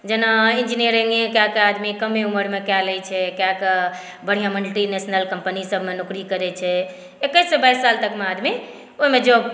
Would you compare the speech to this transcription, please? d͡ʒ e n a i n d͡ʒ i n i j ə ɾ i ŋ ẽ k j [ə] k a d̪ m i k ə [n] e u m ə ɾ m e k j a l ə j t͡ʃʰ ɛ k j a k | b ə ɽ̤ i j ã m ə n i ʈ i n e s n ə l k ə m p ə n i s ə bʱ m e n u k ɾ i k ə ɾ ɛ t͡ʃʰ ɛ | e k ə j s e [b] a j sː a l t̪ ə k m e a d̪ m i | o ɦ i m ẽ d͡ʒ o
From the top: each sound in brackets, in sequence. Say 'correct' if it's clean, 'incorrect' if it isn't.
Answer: incorrect, incorrect, correct

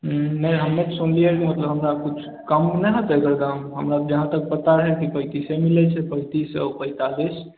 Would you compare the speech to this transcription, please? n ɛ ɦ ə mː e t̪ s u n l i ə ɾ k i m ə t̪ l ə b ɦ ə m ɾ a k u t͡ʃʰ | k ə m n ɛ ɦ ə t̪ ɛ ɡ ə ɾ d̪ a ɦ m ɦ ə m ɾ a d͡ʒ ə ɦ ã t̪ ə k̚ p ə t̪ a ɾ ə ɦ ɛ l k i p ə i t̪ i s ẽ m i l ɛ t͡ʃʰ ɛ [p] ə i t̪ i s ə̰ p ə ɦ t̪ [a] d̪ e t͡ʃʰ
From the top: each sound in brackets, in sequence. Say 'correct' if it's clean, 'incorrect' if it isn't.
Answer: correct, correct

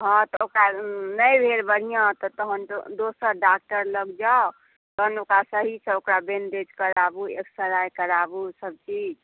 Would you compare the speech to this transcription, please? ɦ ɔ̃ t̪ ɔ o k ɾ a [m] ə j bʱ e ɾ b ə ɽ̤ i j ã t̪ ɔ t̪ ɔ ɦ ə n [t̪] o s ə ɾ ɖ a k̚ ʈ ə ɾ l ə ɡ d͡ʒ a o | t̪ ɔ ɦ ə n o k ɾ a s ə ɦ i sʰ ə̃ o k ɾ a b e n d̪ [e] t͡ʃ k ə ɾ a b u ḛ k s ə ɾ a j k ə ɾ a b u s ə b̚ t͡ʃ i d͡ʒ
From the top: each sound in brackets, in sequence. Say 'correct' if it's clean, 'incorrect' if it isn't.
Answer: incorrect, incorrect, correct

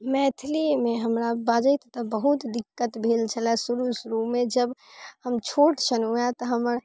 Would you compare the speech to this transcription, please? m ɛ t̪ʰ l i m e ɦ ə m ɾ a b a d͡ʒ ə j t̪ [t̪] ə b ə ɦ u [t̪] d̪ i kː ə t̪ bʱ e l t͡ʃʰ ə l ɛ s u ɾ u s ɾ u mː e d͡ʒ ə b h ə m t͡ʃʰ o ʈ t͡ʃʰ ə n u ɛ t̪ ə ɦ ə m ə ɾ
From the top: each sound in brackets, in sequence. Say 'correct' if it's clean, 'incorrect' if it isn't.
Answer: correct, correct

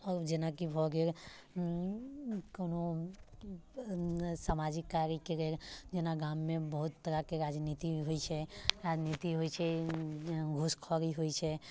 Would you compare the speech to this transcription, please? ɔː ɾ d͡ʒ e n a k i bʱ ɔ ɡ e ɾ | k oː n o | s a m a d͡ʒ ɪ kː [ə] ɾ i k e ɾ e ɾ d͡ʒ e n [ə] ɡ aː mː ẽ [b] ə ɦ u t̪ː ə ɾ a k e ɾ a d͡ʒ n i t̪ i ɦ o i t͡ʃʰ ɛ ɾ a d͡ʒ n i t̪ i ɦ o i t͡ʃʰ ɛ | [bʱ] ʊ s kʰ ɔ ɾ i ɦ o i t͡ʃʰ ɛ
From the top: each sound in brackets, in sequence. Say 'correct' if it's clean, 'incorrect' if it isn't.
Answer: incorrect, incorrect, correct, incorrect

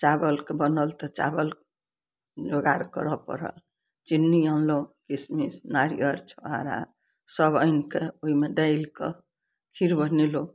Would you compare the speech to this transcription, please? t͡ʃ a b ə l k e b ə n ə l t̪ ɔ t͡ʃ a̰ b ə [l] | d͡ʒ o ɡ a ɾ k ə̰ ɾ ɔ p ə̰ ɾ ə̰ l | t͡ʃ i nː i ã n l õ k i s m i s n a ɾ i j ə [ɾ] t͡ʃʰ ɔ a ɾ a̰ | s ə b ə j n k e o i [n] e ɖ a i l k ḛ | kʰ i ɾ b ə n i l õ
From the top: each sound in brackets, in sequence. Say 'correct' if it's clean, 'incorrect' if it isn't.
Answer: correct, correct, incorrect

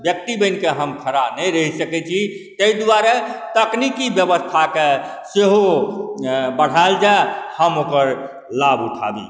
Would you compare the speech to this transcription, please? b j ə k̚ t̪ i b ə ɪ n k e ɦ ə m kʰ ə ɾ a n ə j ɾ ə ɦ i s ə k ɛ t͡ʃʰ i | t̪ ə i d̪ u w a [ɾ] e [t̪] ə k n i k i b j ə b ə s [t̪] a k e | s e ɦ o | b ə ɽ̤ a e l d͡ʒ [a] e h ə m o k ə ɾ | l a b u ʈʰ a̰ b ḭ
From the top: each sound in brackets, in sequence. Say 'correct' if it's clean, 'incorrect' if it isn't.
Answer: correct, correct, incorrect, correct

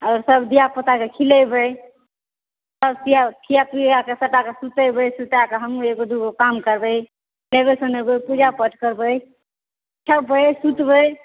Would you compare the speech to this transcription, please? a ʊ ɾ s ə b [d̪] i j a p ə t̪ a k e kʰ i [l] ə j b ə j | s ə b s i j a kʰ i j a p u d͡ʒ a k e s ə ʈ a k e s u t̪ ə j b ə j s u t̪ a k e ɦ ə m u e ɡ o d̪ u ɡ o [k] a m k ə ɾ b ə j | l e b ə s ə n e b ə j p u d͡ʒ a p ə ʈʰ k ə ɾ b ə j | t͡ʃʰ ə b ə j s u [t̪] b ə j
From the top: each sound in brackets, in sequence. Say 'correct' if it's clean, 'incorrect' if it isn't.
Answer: correct, correct, correct, correct

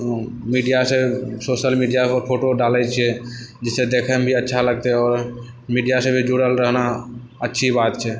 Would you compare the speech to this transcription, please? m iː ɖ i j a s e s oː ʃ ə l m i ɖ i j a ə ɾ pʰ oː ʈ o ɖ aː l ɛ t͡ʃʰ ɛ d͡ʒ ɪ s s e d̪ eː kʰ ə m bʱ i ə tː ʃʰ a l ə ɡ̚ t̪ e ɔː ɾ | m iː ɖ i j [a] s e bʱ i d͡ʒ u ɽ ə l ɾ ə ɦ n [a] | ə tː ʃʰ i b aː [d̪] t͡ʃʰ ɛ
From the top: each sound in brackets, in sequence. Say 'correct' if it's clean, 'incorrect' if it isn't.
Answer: correct, correct, incorrect

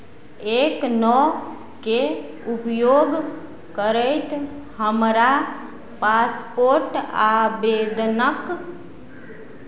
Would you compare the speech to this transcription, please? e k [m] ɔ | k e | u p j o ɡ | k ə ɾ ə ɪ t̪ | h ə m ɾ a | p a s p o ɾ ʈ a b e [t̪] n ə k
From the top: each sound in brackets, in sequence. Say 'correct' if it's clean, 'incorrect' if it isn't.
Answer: incorrect, incorrect

